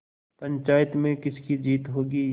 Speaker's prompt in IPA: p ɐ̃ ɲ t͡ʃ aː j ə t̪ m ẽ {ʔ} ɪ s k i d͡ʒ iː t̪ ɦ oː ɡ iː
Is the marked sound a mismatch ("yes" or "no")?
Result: yes